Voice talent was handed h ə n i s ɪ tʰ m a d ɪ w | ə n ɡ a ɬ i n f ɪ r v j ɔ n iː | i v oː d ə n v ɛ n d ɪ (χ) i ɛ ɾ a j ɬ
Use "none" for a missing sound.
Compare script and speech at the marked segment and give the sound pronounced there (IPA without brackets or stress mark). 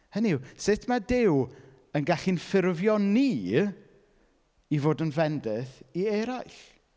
θ